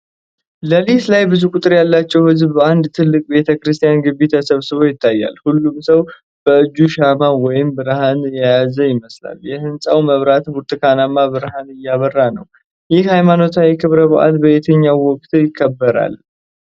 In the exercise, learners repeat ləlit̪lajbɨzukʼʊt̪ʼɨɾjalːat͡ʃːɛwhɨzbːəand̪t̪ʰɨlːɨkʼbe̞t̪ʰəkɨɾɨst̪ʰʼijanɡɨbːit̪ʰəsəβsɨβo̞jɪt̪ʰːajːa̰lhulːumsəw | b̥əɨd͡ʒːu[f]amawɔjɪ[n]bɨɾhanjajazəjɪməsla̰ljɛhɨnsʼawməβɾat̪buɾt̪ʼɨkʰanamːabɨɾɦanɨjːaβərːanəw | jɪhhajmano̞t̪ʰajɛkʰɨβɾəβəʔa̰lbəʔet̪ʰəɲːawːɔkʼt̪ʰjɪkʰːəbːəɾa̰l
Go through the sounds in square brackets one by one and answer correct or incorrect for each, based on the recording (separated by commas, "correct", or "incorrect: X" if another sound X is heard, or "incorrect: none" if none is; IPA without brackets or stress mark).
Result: incorrect: ʃ, incorrect: m